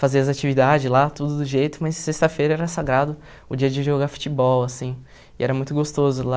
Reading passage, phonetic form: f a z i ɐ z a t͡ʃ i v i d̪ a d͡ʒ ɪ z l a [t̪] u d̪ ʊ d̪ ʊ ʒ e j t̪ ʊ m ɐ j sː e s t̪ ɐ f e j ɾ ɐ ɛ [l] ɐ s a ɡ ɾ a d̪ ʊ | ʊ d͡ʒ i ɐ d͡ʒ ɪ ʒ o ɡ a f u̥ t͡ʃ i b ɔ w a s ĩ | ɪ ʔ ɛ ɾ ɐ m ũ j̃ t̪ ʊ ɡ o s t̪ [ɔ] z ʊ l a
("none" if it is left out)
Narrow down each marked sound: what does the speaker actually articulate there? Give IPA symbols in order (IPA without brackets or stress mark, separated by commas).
t̪, ɾ, o